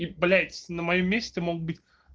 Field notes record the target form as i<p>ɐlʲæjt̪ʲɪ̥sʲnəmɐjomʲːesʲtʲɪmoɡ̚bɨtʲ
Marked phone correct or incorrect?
incorrect